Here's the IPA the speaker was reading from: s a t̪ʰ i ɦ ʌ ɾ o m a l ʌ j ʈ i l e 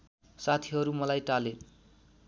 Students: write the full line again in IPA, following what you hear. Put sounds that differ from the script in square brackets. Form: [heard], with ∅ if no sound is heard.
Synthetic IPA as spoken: s a t̪ʰ i ɦ ʌ ɾ [u] m [ʌ] l [a] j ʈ [a] l e